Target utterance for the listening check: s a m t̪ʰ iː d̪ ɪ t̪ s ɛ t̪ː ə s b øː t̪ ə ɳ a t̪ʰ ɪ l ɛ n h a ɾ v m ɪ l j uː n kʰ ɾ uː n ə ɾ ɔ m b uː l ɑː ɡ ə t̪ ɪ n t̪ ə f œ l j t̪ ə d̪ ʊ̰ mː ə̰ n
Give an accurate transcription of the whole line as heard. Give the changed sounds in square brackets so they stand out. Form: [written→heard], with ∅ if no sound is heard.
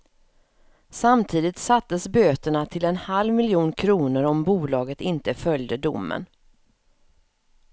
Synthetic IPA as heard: s a m t̪ʰ iː d̪ ɪ t̪ s [ɛ→a] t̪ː ə s b øː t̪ ə ɳ a t̪ʰ ɪ l ɛ n h a [ɾ→l] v m ɪ l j uː n kʰ ɾ uː n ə ɾ ɔ m b uː l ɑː ɡ ə t̪ ɪ n t̪ ə f œ l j [t̪→d̪] ə d̪ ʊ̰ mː ə̰ n